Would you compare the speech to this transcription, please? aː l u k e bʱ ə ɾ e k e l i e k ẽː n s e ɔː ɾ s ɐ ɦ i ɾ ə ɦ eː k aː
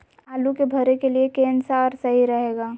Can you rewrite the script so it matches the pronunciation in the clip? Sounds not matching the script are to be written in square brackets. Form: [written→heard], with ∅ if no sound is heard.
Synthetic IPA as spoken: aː l u k e bʱ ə ɾ e k e l i e k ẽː n s [e→a] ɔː ɾ s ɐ ɦ i ɾ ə ɦ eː [k→ɡ] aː